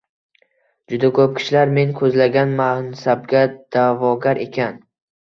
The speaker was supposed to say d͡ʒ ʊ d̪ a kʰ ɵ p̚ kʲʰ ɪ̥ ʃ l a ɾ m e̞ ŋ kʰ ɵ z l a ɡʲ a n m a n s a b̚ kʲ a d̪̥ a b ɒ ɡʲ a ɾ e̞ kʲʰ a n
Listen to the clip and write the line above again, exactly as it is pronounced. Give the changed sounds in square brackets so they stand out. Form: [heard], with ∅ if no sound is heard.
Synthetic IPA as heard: d͡ʒ ʊ d̪ a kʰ ɵ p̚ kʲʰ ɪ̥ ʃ l a ɾ m e̞ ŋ kʰ ɵ z l a ɡʲ a n m a n s a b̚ [ɡʲ] a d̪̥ a [v] ɒ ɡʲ a ɾ e̞ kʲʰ a n